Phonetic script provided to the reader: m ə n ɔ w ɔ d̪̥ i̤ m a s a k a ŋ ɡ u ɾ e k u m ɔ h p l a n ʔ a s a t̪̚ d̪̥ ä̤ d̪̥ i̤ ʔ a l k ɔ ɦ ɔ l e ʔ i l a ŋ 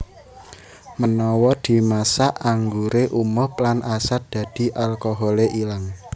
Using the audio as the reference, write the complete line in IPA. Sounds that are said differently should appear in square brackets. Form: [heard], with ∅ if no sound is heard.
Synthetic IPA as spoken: m ə n ɔ w ɔ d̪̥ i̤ m a s a [ʔ] a ŋ ɡ u ɾ e [ʔ] u m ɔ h p l a n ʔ a s a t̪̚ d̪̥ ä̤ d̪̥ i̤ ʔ a l k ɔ ɦ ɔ l e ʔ i l a ŋ